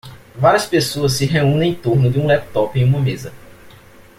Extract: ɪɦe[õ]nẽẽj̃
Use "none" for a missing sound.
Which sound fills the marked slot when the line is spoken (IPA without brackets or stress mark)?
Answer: ũ